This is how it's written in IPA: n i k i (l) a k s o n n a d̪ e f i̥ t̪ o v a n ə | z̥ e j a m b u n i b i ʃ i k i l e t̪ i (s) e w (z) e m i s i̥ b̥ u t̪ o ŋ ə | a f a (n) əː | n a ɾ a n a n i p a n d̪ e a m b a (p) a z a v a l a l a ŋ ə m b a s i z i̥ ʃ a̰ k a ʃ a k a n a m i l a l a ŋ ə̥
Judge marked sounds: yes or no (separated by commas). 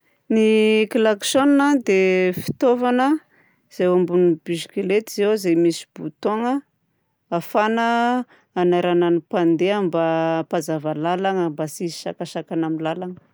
yes, no, yes, yes, yes